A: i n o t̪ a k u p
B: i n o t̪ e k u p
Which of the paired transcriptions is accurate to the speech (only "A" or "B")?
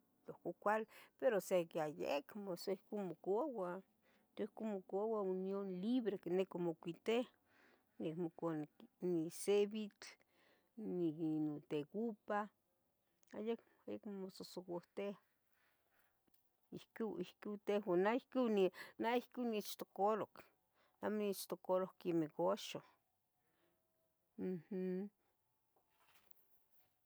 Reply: B